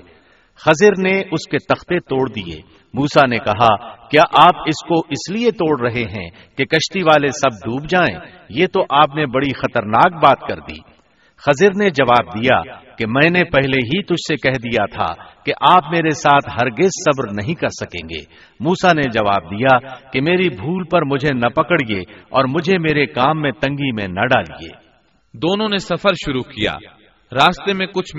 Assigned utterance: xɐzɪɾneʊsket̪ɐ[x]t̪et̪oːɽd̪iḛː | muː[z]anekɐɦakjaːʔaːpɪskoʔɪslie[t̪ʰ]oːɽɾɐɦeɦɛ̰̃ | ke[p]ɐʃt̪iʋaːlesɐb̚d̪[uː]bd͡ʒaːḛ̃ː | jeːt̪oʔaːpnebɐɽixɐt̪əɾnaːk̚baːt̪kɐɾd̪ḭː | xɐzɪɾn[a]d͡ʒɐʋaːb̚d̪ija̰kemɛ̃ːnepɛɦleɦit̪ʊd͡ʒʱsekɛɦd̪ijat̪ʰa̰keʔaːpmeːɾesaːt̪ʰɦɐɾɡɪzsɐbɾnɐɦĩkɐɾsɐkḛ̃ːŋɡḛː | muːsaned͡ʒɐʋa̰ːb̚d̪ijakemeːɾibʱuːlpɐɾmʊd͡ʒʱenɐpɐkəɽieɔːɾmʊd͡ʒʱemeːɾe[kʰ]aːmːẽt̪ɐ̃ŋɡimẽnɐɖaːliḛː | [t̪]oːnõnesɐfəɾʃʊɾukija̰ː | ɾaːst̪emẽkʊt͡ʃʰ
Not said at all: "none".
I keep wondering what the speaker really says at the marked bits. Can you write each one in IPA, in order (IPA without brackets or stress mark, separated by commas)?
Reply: x, s, t̪, k, uː, e, k, d̪